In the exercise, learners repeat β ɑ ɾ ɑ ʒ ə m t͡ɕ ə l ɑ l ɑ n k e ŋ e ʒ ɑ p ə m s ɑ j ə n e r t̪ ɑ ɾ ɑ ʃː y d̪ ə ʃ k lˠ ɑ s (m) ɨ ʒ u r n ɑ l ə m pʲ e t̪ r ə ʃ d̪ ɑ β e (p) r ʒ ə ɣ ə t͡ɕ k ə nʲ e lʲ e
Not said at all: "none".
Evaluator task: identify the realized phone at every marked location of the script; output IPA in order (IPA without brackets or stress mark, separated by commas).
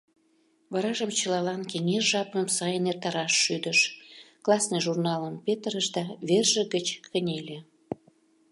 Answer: n, none